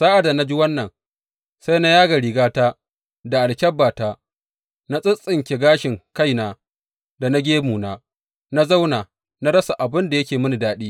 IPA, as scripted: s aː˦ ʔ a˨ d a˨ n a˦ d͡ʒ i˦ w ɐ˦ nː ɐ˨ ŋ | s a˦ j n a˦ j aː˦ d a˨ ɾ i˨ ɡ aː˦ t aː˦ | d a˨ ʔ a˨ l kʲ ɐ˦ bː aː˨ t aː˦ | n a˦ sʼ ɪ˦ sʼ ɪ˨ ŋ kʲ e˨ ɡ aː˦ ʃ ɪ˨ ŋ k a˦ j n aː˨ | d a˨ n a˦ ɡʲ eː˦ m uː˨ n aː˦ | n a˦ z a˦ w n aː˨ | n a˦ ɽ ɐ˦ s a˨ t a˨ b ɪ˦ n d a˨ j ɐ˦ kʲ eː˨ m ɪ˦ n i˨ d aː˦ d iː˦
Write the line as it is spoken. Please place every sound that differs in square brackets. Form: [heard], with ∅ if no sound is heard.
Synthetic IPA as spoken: s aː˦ ʔ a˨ d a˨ n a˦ d͡ʒ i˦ w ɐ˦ nː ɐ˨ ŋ | s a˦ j n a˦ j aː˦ [ɡ] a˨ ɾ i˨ ɡ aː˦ t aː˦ | d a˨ ʔ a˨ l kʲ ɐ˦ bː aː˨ t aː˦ | n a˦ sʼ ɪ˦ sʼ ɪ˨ ŋ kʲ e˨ ɡ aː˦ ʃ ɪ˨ ŋ k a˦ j n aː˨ | d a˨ n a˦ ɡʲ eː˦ m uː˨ n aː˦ | n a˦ z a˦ w n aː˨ | n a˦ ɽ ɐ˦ s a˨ [ʔ] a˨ b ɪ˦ n d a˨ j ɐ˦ kʲ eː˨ m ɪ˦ n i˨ d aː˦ [ɗ] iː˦

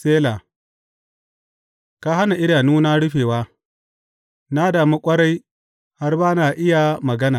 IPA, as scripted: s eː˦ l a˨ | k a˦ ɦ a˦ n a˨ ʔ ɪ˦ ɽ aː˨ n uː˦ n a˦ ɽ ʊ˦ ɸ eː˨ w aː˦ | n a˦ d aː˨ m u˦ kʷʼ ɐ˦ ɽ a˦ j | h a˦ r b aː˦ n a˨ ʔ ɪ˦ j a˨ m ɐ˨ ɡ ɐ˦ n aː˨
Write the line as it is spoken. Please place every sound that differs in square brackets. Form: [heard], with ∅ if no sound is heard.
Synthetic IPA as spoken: s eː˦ l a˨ | k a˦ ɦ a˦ n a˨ ʔ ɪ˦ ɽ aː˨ n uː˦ n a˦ ɽ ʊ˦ ɸ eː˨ w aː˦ | n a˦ d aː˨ m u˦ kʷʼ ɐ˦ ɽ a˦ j | h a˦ r b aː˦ n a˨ ʔ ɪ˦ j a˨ m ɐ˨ ɡ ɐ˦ n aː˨

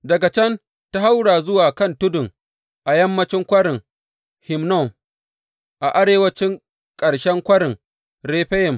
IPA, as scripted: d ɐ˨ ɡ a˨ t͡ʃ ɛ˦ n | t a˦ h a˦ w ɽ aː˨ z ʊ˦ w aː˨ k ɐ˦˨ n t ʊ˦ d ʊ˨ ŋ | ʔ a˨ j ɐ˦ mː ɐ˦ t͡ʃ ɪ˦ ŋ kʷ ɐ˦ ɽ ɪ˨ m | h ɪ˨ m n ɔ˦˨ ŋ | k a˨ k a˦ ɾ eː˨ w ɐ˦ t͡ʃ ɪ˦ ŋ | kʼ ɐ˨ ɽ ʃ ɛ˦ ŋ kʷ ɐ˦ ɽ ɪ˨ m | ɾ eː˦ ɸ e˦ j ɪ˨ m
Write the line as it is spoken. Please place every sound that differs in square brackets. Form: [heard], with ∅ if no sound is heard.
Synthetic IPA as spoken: d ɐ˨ ɡ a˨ t͡ʃ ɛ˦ n | t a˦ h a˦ w ɽ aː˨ z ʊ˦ w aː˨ k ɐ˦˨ n t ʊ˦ d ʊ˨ ŋ | ʔ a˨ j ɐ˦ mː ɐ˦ t͡ʃ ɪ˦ ŋ kʷ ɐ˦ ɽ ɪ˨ [ŋ] | h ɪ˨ m n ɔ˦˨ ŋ | [ʔ] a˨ [ʔ] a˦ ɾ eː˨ w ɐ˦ t͡ʃ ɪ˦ ŋ | kʼ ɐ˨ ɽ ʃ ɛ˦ ŋ kʷ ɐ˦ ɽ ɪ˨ [ŋ] | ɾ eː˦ ɸ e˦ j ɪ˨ m

